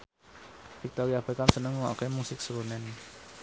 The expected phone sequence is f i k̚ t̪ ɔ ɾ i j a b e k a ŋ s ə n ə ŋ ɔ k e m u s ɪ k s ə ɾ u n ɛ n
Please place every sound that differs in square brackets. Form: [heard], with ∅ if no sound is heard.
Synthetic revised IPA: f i k̚ t̪ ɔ ɾ i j a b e k a [m] s ə n ə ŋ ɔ k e m u s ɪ k s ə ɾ u n ɛ n